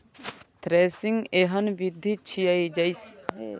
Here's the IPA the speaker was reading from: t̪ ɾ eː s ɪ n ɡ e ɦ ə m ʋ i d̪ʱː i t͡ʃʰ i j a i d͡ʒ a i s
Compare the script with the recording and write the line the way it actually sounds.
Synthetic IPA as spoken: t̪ ɾ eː s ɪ ŋ ɡ e ɦ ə n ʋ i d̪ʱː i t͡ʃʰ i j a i d͡ʒ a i s

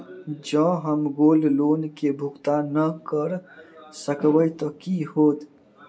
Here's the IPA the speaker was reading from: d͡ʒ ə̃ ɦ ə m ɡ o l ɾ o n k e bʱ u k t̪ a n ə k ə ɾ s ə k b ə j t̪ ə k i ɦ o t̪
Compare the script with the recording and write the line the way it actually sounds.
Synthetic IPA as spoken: d͡ʒ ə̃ ɦ ə m ɡ o l l o n k e bʱ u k t̪ a n ə k ə ɾ s ə k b ə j t̪ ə k i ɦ o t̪

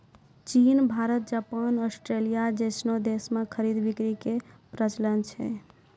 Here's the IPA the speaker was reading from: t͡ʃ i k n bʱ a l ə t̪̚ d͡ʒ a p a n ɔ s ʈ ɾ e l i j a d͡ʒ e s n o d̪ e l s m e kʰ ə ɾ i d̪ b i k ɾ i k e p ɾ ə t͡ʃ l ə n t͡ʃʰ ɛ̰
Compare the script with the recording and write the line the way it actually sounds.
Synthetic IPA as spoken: t͡ʃ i n bʱ a ɾ ə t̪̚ d͡ʒ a p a n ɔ s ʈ ɾ e l i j a d͡ʒ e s n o d̪ e s m e kʰ ə ɾ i d̪ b i k ɾ i k e p ɾ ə t͡ʃ l ə n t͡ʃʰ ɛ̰

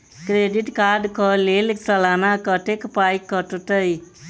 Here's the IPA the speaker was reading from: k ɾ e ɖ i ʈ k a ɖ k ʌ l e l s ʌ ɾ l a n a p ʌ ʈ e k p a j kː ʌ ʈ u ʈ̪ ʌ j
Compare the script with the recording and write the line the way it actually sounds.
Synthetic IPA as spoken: k ɾ e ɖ i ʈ k a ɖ k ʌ l e l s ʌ l a n a k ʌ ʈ e k p a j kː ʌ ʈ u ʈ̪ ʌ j

